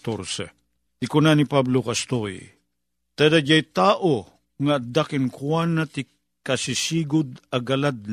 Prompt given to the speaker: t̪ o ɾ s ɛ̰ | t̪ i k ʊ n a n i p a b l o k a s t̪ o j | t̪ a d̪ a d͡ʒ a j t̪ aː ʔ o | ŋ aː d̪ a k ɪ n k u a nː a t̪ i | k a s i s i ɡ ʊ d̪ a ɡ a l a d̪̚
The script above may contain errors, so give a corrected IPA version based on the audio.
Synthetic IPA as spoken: t̪ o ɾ s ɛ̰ | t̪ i k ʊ n a n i p a b l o k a s t̪ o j | t̪ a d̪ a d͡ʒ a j t̪ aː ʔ o | ŋ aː d̪ a k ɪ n k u a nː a t̪ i | k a s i s i ɡ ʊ d̪ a ɡ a l a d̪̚